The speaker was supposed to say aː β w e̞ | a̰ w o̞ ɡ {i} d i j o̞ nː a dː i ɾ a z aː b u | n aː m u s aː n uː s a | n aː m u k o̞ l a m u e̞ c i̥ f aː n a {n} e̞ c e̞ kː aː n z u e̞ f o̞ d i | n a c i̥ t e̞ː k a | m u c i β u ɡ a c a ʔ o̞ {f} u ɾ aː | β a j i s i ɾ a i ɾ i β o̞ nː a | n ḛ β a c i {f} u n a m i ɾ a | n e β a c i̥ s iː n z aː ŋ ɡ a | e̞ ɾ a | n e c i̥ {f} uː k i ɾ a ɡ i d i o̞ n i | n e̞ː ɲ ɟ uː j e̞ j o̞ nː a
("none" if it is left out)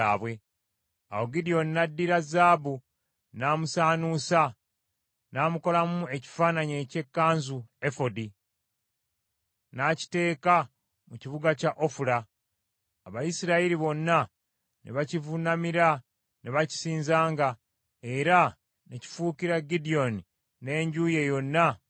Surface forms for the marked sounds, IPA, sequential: i, ɲ, f, v, f

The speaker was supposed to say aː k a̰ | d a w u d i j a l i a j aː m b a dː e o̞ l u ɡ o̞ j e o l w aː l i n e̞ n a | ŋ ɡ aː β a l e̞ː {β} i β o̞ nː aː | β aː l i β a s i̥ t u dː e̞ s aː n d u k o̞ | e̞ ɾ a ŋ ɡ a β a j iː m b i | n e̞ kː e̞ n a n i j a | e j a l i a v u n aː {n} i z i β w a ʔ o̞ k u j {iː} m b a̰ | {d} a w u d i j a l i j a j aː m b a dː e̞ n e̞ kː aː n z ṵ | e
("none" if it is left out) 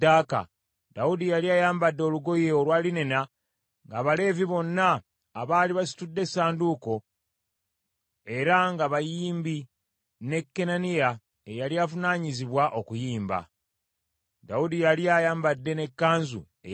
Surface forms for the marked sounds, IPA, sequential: v, ɲ, iː, d

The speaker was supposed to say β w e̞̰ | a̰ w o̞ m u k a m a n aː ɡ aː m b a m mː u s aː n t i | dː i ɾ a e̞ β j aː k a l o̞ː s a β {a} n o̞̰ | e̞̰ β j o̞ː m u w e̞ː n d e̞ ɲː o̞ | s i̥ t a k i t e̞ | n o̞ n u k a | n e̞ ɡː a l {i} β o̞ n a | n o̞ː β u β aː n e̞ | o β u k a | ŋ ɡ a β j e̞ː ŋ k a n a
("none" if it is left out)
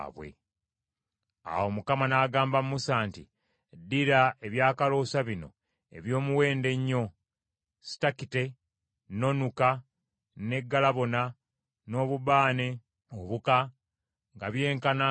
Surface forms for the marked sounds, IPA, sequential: i, a

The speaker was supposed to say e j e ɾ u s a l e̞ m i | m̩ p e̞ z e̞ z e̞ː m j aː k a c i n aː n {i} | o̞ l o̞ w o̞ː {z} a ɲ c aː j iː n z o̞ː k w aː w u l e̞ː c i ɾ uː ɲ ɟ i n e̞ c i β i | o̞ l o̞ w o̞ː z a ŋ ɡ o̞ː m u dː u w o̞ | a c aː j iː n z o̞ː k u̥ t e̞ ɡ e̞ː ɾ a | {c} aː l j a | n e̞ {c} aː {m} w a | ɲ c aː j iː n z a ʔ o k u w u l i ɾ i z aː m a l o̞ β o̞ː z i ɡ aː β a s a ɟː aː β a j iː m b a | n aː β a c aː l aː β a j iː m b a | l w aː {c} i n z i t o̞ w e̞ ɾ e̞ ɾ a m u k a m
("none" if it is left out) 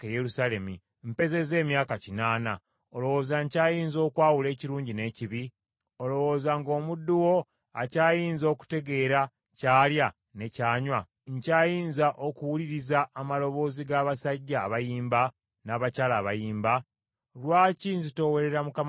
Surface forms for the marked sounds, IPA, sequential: a, z, c, c, ɲ, c

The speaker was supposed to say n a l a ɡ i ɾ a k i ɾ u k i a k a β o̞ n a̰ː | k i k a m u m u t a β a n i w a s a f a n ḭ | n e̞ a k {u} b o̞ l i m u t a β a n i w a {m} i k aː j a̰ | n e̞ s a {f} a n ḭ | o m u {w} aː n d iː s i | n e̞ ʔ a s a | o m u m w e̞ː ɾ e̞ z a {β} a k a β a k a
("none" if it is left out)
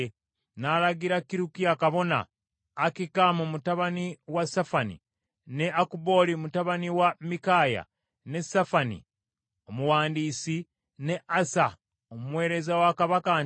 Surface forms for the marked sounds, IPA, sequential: u, m, f, w, w

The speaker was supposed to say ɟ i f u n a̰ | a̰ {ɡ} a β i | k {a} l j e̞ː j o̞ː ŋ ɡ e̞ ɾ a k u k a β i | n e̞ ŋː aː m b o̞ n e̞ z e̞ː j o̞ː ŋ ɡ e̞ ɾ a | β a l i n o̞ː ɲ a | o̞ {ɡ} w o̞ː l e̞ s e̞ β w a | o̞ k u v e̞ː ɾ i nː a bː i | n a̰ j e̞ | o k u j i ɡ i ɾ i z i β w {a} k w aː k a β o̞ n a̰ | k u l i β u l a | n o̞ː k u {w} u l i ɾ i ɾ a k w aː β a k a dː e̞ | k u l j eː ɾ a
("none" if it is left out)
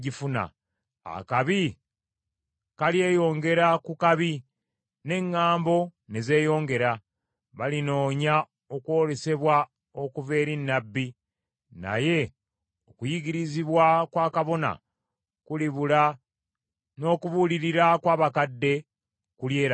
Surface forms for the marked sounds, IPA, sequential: k, a, k, a, β

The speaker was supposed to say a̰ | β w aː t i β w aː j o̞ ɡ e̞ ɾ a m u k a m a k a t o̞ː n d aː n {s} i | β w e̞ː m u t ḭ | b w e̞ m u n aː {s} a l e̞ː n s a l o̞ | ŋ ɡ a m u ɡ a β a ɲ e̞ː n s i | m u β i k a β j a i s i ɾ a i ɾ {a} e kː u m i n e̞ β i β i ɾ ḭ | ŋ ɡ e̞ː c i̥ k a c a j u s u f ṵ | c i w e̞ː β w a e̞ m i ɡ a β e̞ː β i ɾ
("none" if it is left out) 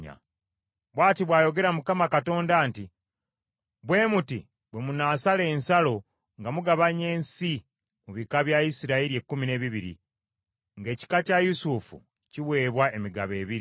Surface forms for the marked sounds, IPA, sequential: t, s, i

